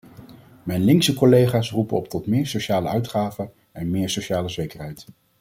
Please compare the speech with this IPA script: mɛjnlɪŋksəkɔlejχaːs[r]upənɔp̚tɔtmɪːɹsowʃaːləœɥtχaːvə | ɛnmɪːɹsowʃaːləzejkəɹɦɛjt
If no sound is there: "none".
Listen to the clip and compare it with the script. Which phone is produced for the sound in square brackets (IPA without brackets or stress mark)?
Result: r